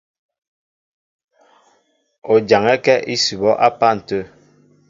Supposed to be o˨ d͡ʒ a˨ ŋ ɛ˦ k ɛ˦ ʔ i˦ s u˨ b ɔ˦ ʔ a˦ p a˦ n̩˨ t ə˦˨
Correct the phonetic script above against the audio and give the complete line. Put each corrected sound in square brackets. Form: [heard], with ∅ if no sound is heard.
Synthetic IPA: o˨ d͡ʒ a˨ ŋ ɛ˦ k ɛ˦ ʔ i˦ s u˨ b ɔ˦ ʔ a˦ p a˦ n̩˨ t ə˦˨